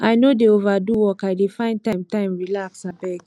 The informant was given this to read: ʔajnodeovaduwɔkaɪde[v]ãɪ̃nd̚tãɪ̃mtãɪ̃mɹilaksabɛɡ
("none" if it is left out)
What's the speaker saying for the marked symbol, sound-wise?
f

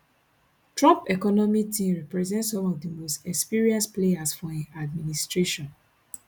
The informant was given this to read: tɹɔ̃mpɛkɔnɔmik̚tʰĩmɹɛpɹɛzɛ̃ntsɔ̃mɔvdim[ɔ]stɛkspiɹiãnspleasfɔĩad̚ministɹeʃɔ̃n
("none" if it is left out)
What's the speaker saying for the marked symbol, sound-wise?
o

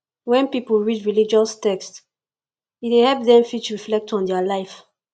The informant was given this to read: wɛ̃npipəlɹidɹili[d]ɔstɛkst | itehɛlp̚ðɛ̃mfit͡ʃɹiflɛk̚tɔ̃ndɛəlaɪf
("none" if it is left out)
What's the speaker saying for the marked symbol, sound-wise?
d͡ʒ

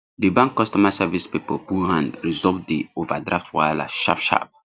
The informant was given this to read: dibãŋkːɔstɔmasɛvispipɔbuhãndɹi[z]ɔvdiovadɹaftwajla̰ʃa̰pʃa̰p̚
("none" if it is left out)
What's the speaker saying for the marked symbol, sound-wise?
z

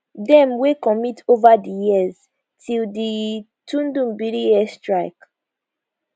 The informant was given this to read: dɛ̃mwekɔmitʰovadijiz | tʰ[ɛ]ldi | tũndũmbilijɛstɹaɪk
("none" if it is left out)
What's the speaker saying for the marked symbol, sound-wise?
i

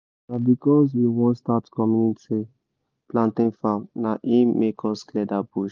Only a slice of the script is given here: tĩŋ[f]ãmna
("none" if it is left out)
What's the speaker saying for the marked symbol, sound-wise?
f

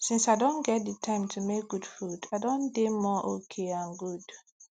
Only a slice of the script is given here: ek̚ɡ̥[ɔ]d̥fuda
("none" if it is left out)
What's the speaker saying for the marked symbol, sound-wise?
u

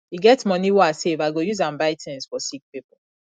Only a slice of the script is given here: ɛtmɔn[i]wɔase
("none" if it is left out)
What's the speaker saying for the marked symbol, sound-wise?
i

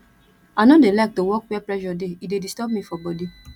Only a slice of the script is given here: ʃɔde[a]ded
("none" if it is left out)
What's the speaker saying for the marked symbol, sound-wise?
i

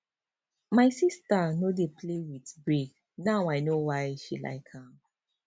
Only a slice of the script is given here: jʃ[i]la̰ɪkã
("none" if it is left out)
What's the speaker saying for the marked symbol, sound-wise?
i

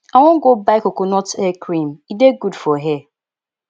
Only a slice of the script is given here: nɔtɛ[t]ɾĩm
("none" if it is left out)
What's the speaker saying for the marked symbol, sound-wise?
k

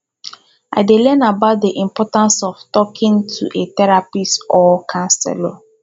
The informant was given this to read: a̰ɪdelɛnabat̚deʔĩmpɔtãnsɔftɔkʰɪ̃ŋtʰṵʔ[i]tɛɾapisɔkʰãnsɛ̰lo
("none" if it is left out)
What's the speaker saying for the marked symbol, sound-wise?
e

